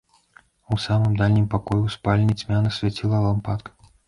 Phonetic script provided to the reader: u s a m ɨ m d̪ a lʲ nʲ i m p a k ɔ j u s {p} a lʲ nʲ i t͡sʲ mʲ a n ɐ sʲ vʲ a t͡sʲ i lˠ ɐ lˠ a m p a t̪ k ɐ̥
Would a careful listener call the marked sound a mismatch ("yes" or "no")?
no